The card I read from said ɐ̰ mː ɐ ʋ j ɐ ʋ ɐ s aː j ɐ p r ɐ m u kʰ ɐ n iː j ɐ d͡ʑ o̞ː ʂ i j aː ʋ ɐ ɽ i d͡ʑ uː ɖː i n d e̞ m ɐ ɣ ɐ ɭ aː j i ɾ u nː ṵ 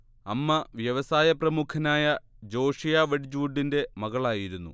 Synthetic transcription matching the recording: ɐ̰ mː ɐ ʋ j ɐ ʋ ɐ s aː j ɐ p r ɐ m u kʰ ɐ n aː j ɐ d͡ʑ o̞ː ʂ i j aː ʋ ɐ ɽ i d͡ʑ uː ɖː i n d e̞ m ɐ ɣ ɐ ɭ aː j i ɾ u nː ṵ